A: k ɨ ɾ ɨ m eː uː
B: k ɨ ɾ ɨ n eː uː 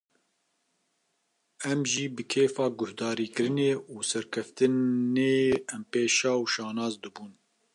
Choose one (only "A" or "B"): B